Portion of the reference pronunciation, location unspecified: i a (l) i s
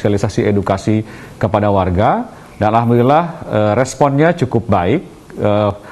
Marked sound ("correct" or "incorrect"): correct